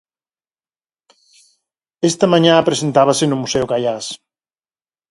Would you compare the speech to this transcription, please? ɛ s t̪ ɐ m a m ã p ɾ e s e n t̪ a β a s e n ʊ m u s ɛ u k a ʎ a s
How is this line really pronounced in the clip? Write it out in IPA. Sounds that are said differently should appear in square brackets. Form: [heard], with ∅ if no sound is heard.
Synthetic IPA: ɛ s t̪ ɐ m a [ɲ] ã p ɾ e s e n t̪ a β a s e n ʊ m u s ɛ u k a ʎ a s